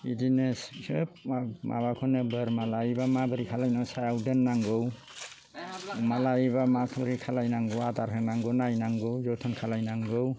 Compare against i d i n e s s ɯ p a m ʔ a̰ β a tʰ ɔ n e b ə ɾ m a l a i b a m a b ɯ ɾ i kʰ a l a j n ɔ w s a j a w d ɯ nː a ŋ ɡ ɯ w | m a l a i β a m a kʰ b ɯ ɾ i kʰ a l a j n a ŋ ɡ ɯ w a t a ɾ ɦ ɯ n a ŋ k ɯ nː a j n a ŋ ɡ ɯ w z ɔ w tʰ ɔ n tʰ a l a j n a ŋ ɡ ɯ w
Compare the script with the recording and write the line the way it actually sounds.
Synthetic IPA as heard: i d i n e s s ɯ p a m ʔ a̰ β a kʰ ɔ n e b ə ɾ m a l a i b a m a b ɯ ɾ i kʰ a l a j n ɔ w s a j a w d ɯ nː a ŋ ɡ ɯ w | m a l a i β a m a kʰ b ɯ ɾ i kʰ a l a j n a ŋ ɡ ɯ w a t a ɾ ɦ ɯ n a ŋ ɡ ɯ n a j n a ŋ ɡ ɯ w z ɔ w tʰ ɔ n kʰ a l a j n a ŋ ɡ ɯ w